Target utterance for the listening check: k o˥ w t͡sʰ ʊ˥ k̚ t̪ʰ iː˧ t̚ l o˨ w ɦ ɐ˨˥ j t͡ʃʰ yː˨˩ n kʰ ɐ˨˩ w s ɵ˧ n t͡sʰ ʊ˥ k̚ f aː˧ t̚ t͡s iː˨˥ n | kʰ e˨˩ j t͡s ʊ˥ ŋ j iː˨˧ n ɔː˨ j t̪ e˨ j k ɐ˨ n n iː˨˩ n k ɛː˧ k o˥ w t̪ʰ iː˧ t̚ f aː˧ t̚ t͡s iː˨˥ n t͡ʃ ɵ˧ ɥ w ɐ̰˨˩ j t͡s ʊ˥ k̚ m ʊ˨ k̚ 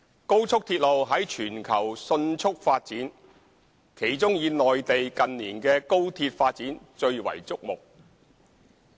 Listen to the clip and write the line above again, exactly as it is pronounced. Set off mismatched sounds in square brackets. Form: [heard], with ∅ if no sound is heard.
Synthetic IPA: k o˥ w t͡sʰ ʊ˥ k̚ t̪ʰ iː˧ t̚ l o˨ w ɦ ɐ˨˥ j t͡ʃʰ yː˨˩ n kʰ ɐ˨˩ w s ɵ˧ n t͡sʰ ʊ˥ k̚ f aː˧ t̚ t͡s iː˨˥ n | kʰ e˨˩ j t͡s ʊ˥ ŋ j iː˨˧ n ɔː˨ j t̪ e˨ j k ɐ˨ n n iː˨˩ n k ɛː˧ k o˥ w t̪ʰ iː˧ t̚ f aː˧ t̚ t͡s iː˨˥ n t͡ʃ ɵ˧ ɥ w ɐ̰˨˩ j t͡s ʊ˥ k̚ m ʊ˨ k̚